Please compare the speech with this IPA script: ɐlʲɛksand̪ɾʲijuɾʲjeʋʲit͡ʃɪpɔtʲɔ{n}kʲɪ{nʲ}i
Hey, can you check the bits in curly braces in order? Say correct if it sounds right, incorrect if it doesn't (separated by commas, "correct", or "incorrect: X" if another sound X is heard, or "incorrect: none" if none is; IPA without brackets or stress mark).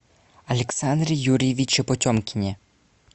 incorrect: m, correct